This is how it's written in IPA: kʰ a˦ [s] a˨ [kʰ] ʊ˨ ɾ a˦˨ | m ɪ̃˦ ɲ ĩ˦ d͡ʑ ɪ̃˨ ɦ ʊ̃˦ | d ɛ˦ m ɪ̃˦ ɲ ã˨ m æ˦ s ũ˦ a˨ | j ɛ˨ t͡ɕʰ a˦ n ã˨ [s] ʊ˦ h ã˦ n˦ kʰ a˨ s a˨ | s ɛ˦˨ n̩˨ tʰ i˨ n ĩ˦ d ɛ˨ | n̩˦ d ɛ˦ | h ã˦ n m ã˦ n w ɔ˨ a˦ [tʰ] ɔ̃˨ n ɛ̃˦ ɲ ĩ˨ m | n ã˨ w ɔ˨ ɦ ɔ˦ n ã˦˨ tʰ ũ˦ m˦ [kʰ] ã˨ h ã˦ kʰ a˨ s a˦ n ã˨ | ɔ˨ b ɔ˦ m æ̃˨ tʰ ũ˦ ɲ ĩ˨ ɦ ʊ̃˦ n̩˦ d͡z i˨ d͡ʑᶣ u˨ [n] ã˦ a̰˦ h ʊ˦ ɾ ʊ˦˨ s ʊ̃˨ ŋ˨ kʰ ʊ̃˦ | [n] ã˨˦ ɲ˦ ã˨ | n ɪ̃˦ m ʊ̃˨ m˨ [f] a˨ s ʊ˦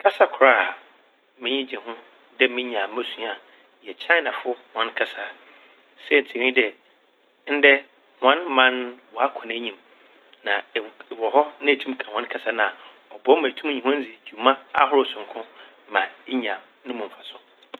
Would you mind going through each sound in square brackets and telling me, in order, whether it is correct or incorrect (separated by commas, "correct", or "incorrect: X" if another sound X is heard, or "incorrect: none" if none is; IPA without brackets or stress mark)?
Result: correct, correct, incorrect: f, incorrect: kʰ, correct, incorrect: m, incorrect: m, correct